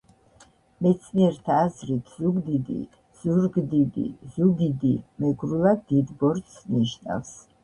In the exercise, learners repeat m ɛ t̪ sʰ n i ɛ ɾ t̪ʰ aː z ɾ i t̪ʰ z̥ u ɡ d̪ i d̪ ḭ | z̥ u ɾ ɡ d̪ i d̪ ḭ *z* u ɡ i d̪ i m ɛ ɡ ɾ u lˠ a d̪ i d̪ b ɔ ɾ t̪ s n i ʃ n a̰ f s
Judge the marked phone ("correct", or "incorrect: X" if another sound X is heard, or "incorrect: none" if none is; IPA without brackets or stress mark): correct